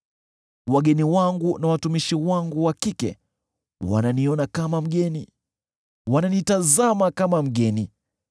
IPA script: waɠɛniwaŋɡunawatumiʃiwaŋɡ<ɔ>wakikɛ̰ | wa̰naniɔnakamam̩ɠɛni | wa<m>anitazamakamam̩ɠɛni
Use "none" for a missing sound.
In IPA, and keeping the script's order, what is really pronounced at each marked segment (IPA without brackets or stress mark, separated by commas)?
u, n